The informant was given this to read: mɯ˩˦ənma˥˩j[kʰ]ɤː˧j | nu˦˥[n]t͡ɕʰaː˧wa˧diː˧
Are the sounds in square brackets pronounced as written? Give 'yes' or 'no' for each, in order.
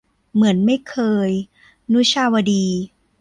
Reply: yes, no

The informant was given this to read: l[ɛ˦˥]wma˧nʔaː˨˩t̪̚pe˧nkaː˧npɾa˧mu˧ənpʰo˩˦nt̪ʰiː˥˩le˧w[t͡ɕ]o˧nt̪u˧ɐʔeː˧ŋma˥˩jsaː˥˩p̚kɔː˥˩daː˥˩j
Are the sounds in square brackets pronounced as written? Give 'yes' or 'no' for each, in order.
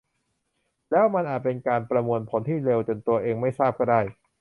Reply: no, yes

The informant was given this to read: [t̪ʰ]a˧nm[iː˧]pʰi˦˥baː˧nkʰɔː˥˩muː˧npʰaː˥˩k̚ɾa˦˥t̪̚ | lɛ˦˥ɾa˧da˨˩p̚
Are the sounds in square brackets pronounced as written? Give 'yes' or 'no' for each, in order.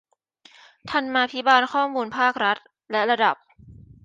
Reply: yes, no

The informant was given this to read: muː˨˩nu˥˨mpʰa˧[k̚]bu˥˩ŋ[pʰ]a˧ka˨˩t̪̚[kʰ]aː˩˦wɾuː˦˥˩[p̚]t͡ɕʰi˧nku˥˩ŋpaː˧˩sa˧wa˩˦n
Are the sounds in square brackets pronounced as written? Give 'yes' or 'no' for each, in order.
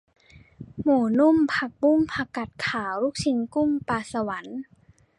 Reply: yes, yes, yes, no

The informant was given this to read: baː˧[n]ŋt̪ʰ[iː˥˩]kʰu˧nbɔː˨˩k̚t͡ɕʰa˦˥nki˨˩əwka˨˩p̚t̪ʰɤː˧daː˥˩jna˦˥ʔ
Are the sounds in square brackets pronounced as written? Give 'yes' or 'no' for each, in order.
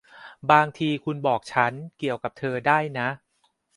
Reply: no, no

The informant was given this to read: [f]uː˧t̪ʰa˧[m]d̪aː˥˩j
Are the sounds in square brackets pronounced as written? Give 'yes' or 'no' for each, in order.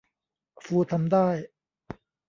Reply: yes, yes

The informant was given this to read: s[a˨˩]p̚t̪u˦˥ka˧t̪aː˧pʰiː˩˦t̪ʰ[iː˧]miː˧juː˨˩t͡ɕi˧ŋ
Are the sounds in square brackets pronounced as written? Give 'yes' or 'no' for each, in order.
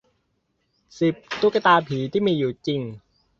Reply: no, no

